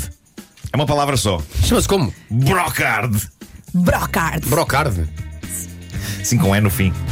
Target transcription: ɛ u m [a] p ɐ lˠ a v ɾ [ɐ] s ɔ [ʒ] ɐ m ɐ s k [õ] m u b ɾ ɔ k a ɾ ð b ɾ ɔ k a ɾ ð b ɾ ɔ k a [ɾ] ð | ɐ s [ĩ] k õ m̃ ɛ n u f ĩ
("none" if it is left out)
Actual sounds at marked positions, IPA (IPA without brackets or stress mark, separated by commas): ɐ, ɐ, ʃ, o, ɾ, ĩ